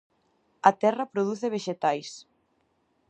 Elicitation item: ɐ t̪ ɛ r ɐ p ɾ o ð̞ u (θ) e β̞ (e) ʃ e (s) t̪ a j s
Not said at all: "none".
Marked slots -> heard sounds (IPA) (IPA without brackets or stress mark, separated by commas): θ, e, none